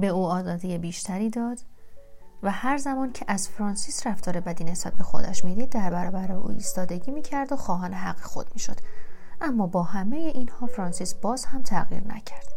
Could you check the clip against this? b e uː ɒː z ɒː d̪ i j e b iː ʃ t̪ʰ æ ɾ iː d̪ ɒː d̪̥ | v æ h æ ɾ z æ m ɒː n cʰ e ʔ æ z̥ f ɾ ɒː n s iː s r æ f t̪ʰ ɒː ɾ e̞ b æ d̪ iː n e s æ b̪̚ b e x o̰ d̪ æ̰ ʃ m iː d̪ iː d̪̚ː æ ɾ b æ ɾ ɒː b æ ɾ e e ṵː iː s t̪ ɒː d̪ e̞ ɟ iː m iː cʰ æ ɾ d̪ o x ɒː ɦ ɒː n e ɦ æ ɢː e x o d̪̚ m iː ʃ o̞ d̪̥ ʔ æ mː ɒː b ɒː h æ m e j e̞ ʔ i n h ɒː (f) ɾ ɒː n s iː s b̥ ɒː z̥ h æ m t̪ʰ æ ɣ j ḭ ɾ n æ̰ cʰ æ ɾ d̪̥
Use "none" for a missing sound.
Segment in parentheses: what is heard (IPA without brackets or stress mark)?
f